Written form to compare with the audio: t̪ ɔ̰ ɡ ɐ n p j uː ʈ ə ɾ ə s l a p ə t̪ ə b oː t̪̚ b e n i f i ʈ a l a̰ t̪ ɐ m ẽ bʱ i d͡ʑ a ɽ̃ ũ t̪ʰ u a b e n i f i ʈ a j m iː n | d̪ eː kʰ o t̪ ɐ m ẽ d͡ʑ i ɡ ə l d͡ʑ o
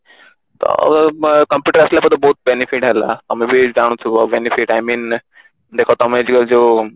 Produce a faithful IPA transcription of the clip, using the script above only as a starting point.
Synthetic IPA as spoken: t̪ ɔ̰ k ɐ m p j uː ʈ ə ɾ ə s l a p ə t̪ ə b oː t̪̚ b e n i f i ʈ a l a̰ t̪ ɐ m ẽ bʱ i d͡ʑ a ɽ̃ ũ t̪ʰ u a b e n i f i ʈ a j m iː n | d̪ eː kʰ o t̪ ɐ m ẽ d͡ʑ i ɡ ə l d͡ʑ o